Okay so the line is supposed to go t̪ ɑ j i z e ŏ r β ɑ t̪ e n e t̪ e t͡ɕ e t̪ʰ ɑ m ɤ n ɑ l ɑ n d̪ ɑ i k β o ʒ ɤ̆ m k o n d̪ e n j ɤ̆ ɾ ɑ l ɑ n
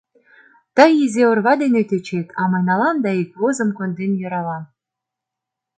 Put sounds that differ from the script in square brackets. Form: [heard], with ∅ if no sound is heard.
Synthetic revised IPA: t̪ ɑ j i z e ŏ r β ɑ [d̪] e n e t̪ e t͡ɕ e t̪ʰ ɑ m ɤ n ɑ l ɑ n d̪ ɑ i k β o [z] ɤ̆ m k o n d̪ e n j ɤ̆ ɾ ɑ l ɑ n